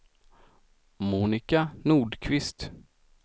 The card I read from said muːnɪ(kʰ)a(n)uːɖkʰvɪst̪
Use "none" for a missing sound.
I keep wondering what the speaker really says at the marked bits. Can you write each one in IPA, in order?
k, n

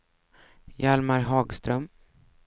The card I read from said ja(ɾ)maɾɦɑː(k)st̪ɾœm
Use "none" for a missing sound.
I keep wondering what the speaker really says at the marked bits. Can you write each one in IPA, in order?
l, ɡ

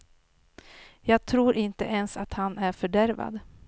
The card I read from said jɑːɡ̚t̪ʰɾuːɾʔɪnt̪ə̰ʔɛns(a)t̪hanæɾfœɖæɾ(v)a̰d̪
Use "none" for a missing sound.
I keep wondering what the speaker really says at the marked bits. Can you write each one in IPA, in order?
a, v

